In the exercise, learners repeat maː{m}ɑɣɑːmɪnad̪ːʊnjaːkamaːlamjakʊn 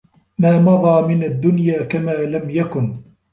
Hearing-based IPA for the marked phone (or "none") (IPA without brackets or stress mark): m